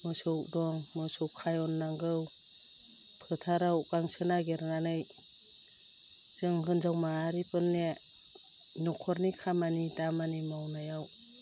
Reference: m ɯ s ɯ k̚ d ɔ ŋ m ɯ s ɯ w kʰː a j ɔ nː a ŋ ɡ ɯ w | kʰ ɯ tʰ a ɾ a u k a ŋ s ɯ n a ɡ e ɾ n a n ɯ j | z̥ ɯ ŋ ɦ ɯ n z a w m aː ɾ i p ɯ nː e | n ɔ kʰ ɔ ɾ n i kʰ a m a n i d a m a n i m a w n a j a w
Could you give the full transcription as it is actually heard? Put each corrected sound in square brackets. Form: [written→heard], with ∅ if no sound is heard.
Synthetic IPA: m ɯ s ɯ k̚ d ɔ ŋ m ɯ s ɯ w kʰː a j ɔ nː a ŋ ɡ ɯ w | [kʰ→pʰ] ɯ tʰ a ɾ a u k a ŋ s ɯ n a ɡ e ɾ n a n ɯ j | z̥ ɯ ŋ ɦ ɯ n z a w m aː ɾ i p ɯ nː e | n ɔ kʰ ɔ ɾ n i kʰ a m a n i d a m a n i m a w n a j a w